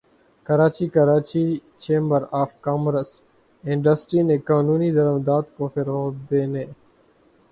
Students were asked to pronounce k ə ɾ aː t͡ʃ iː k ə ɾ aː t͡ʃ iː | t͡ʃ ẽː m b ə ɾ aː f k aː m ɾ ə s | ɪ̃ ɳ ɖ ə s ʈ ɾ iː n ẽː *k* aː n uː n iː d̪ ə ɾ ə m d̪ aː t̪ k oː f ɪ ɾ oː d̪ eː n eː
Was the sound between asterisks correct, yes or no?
yes